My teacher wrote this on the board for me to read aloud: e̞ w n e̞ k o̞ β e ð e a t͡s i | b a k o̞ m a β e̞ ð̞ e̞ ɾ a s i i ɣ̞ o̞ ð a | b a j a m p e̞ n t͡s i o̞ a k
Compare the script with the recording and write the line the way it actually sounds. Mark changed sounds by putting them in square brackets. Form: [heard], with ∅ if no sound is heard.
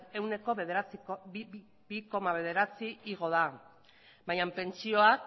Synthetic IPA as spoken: e̞ w n e̞ k o̞ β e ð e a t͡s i | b [i] k o̞ m a β e̞ ð̞ e̞ ɾ a [t͡s] i i ɣ̞ o̞ ð a | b a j a m p e̞ n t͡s i o̞ a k